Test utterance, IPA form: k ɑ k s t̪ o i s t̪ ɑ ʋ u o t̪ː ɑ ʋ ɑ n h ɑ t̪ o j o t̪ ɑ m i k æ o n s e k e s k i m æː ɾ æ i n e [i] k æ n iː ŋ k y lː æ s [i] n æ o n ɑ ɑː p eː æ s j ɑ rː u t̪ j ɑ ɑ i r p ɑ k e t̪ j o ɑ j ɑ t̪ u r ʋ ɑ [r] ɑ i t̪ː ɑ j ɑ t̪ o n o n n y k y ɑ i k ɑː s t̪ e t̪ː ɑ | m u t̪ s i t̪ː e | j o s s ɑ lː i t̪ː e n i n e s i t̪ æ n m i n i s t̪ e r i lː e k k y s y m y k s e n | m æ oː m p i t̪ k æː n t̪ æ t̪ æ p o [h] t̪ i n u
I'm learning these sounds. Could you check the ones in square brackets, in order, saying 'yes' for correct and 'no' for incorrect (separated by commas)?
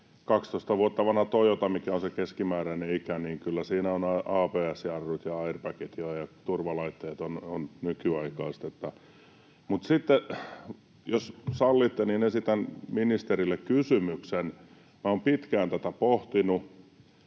yes, no, no, yes